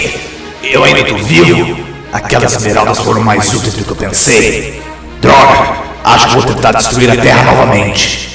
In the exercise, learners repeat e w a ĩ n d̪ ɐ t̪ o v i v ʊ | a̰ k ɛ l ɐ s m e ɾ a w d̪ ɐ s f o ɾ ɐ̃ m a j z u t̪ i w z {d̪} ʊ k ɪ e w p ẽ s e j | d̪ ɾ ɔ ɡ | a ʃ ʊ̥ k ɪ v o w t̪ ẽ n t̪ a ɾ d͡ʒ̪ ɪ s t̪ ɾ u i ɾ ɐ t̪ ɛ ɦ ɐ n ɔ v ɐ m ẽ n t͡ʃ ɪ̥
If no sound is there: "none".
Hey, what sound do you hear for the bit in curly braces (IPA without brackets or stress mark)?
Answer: d̪